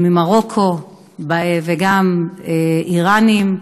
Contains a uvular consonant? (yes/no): yes